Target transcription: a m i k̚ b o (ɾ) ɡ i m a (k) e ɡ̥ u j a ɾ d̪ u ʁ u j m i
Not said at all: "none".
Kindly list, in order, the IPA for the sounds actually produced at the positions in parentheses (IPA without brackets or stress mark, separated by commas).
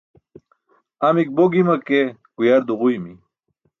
none, k